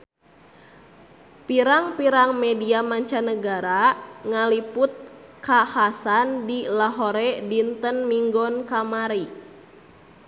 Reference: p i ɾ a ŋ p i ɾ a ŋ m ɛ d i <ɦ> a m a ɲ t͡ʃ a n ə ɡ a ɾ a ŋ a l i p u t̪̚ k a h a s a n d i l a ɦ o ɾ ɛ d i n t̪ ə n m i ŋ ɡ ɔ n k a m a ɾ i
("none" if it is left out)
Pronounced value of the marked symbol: none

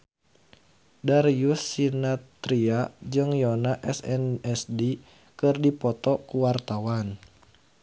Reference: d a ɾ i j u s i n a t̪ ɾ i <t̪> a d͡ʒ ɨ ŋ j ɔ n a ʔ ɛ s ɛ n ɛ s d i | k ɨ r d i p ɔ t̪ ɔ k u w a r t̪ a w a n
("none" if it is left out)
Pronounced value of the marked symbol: none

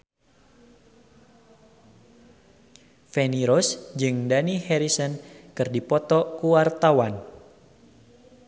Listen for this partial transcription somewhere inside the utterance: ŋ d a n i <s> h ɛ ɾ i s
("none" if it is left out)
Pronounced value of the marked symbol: none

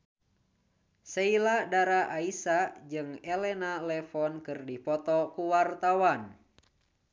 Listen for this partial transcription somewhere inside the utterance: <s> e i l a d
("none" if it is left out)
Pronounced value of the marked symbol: s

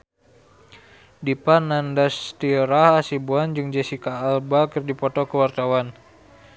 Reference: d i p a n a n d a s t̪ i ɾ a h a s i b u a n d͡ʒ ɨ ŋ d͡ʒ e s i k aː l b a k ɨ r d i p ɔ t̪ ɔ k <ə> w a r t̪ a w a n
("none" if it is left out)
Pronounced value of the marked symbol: ə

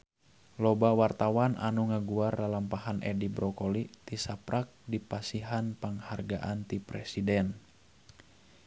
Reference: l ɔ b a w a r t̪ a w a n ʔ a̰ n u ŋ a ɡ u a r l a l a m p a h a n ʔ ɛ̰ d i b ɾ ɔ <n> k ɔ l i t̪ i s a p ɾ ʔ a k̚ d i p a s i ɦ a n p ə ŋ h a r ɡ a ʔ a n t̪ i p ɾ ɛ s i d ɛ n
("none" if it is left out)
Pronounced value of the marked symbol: none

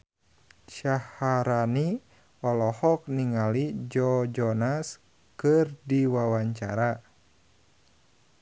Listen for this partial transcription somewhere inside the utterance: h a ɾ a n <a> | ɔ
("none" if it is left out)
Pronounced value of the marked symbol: i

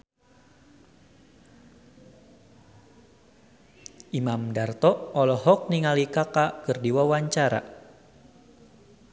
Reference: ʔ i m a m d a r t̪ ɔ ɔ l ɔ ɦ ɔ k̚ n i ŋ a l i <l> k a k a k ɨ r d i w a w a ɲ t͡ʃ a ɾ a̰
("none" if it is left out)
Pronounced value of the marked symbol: none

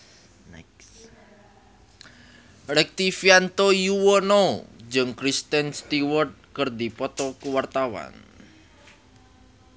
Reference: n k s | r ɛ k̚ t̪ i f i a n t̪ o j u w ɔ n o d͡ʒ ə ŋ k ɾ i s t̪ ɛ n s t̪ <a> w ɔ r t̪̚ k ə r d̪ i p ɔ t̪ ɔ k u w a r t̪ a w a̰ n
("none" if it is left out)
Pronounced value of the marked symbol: i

